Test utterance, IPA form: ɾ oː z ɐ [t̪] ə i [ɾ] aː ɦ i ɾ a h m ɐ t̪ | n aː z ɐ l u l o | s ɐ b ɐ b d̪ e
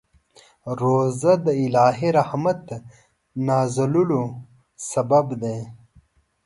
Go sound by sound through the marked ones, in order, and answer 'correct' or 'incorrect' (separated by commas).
incorrect, incorrect